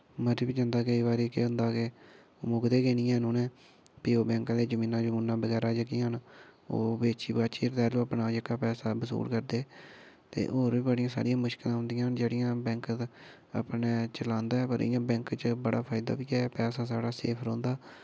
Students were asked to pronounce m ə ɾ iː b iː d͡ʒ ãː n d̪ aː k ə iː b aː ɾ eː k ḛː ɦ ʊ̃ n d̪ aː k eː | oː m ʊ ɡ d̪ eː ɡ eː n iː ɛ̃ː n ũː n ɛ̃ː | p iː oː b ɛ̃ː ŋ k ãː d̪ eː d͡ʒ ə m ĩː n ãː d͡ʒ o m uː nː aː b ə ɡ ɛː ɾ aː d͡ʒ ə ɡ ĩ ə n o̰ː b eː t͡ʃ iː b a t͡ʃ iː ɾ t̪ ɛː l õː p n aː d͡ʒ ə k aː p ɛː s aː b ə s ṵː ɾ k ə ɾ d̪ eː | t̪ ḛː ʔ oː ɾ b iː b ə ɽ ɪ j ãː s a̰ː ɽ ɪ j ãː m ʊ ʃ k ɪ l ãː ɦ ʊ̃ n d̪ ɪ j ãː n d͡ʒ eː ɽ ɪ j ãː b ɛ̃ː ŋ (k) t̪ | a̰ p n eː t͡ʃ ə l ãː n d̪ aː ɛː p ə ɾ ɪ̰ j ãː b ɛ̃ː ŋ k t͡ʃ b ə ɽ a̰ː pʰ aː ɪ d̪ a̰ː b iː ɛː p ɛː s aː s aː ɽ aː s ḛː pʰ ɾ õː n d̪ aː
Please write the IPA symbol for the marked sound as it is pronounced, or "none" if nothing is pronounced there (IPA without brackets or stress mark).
k